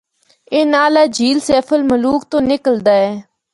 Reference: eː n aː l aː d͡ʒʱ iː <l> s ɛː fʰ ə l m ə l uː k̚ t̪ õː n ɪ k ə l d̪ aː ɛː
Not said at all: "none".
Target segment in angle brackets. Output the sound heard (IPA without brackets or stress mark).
l